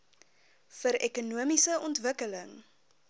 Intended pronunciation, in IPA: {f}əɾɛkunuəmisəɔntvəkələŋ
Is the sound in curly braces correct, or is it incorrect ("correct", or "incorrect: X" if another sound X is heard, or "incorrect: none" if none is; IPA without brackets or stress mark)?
correct